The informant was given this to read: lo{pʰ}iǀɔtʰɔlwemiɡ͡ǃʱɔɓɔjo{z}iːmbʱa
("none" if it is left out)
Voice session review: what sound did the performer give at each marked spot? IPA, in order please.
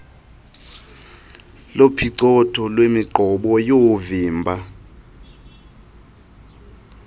pʰ, v

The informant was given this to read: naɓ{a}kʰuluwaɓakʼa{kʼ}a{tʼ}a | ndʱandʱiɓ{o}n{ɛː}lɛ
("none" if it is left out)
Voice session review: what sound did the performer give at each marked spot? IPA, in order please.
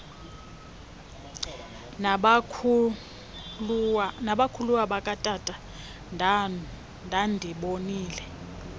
a, tʼ, tʼ, o, iː

